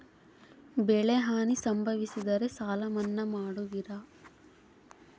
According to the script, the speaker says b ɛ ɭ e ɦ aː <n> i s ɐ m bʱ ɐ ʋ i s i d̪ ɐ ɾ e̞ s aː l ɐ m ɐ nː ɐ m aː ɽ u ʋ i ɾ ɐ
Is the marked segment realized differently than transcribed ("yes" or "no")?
no